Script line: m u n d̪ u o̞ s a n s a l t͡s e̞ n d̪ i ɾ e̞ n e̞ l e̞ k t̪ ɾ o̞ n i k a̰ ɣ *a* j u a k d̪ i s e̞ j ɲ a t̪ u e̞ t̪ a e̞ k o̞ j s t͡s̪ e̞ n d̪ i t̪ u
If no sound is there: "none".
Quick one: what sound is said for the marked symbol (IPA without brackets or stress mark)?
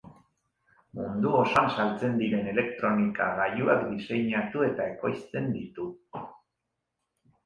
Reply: a